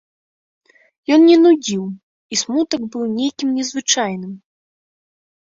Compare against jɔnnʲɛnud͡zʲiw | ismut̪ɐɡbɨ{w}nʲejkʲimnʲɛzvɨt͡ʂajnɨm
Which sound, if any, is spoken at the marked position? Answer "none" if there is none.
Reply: w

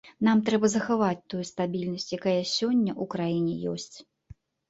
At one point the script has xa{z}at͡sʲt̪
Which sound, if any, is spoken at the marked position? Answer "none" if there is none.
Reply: v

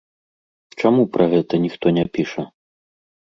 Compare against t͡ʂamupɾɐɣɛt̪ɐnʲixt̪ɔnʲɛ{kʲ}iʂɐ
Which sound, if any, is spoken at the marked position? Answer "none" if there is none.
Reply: pʲ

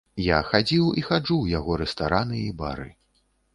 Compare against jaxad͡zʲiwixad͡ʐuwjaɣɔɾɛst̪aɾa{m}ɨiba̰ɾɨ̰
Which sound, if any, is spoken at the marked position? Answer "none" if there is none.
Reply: n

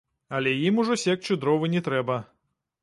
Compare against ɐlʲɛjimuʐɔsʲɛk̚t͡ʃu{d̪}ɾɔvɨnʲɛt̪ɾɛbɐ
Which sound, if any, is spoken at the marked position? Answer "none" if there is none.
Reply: d̪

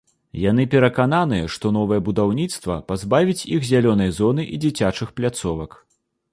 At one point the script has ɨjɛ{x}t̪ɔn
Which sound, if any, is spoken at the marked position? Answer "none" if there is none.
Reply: ʂ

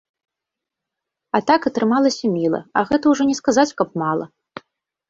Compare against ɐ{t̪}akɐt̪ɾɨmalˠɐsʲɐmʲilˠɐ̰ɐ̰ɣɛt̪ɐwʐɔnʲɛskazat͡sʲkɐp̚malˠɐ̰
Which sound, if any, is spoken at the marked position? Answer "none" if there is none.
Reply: t̪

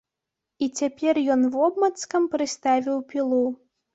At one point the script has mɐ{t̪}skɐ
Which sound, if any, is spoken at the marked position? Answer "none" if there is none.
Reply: t̪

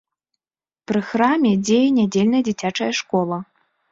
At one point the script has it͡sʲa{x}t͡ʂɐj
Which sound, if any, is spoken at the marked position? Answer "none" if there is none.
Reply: none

